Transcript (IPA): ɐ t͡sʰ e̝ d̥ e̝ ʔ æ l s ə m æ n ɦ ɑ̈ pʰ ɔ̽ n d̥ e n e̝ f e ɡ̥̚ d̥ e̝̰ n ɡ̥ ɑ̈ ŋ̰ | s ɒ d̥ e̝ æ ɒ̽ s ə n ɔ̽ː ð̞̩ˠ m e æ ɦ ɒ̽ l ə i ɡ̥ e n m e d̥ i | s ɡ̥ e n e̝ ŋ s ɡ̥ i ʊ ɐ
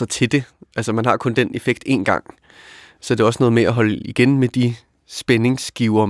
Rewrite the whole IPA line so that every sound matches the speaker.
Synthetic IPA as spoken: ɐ t͡sʰ e̝ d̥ e̝ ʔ æ l s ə m æ n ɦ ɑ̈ kʰ ɔ̽ n d̥ e n e̝ f e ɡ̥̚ d̥ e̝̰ n ɡ̥ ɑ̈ ŋ̰ | s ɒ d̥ e̝ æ ɒ̽ s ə n ɔ̽ː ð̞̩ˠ m e æ ɦ ɒ̽ l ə i ɡ̥ e n m e d̥ i | s b̥ e n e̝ ŋ s ɡ̥ i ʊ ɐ